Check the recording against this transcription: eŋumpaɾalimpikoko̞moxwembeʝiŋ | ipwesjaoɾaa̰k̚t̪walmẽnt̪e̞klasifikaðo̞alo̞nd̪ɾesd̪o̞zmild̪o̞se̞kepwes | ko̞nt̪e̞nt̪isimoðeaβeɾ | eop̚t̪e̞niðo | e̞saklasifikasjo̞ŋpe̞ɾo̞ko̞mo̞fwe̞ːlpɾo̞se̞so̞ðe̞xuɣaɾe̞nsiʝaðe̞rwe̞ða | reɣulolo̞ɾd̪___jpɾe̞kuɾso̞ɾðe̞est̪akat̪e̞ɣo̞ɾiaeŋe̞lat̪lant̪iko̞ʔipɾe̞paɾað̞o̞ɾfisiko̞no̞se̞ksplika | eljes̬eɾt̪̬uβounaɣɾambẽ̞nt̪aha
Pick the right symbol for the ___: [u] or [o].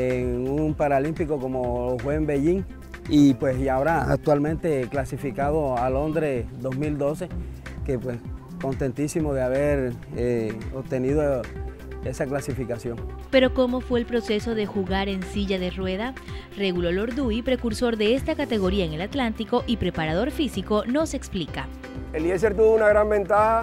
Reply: u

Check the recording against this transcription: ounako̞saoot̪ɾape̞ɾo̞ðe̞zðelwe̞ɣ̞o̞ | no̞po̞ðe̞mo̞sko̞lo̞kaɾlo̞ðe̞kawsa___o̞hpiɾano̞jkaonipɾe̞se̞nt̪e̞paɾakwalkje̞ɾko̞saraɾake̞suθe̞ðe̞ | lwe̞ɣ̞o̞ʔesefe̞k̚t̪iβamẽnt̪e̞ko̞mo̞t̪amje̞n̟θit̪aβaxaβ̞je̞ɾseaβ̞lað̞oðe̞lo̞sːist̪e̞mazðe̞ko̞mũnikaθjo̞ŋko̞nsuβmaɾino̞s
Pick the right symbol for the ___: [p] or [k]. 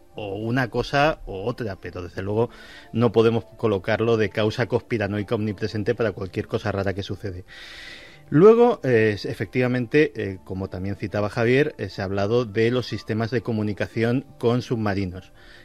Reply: k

